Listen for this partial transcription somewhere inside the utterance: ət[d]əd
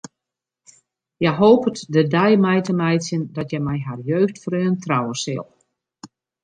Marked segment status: correct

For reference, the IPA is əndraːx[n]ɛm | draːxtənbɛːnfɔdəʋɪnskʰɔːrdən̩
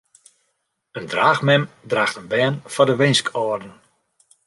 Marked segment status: incorrect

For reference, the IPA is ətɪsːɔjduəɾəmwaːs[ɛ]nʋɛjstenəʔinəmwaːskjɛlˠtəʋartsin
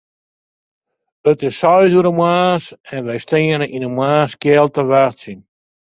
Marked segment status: correct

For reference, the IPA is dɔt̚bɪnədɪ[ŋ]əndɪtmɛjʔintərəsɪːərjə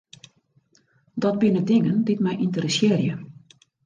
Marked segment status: correct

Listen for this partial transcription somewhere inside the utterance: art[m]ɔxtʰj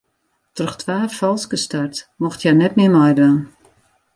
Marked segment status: correct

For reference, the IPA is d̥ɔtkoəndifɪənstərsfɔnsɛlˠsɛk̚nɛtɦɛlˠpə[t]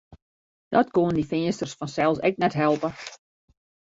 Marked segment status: incorrect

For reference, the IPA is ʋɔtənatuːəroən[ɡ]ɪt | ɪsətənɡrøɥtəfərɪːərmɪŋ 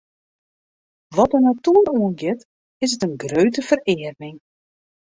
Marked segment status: correct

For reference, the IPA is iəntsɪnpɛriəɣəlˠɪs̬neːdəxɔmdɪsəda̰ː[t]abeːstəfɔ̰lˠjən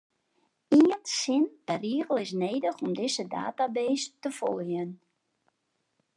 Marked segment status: correct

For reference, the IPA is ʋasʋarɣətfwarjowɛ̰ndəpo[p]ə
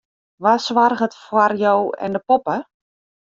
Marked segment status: correct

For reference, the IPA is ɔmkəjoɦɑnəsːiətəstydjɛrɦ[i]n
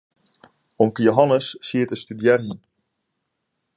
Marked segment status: correct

